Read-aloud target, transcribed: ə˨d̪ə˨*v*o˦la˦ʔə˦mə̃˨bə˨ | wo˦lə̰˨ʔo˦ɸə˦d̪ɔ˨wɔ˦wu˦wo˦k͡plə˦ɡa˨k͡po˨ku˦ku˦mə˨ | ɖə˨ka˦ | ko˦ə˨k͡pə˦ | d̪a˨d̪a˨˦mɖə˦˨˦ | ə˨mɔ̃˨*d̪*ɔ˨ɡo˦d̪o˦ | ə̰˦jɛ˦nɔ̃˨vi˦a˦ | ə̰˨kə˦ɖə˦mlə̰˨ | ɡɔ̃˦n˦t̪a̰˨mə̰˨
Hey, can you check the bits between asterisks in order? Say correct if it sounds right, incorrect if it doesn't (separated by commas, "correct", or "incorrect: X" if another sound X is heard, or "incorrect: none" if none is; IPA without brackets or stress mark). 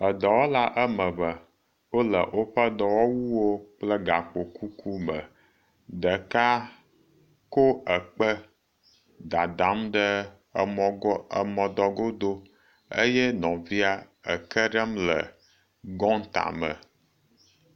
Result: incorrect: w, correct